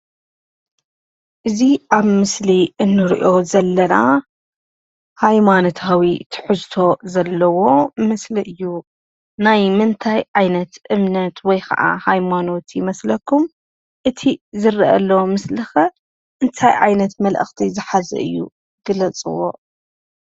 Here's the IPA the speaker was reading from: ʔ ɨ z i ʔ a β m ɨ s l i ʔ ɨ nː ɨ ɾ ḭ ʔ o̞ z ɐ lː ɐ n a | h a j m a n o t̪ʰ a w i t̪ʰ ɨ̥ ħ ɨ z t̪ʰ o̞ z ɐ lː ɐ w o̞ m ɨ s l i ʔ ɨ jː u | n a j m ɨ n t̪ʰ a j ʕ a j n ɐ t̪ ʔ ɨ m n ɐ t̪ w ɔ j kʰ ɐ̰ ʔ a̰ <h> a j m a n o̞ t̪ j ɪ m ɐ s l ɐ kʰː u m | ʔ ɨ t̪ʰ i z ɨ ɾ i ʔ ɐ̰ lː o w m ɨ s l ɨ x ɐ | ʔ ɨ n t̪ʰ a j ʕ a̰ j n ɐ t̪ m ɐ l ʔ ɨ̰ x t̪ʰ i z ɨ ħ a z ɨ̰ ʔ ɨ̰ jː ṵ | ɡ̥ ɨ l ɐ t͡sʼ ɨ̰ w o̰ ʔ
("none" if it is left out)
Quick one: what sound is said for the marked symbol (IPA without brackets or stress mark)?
h